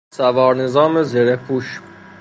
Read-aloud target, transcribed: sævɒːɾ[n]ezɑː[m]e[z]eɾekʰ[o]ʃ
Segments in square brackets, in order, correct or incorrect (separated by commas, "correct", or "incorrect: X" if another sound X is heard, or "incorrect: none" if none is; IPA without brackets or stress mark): correct, correct, correct, incorrect: u